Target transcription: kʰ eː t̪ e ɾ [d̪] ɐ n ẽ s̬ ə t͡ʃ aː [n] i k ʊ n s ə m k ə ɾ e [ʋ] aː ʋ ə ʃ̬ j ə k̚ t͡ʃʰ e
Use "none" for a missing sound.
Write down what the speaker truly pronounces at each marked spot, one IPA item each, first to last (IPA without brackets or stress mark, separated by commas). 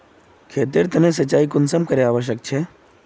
t̪, none, none